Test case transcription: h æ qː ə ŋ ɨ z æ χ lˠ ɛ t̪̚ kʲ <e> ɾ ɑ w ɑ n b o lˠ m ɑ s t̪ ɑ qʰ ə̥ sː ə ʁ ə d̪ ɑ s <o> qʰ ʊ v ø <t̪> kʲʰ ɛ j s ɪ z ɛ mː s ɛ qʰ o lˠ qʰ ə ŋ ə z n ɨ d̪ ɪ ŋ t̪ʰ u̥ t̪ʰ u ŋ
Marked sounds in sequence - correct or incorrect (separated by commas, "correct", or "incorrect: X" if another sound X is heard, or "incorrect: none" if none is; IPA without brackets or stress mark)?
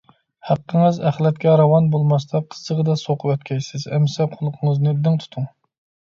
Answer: incorrect: ɛ, correct, correct